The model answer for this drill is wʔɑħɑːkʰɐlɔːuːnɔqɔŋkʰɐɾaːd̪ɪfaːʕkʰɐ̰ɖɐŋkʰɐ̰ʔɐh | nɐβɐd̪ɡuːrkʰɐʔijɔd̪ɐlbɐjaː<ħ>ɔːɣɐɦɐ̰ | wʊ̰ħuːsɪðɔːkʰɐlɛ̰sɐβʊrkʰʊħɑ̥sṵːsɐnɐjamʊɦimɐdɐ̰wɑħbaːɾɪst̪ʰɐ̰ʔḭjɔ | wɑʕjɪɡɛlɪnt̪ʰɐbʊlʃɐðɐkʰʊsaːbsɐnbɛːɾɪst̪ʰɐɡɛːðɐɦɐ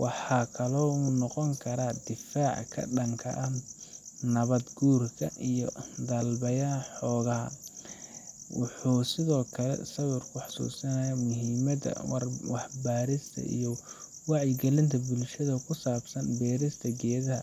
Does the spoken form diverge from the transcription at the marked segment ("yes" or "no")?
no